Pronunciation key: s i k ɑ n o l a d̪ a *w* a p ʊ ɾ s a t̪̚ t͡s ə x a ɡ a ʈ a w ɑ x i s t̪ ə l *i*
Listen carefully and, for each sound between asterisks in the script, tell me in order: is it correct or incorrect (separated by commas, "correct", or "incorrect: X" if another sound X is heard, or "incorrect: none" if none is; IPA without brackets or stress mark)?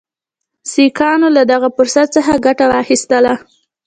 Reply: incorrect: ɣ, incorrect: a